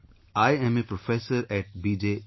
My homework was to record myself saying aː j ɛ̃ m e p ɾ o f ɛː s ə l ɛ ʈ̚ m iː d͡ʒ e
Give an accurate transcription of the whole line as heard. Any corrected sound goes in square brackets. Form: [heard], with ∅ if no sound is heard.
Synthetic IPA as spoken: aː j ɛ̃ m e p ɾ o f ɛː s ə [ɾ] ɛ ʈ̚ [b] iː d͡ʒ e